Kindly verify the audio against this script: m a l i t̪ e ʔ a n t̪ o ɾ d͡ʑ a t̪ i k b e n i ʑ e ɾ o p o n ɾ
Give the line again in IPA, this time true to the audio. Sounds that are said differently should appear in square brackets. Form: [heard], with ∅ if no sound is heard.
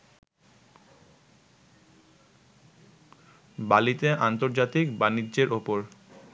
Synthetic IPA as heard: [b] a l i t̪ e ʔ a n t̪ o ɾ d͡ʑ a t̪ i k b [a] n i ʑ e ɾ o p o [∅] ɾ